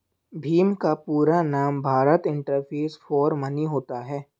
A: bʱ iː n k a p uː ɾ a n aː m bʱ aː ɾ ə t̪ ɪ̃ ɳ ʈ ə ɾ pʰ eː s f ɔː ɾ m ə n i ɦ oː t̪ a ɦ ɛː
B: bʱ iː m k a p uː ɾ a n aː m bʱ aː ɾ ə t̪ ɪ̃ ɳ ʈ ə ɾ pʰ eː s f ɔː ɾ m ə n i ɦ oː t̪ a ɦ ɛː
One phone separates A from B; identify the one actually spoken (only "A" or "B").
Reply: B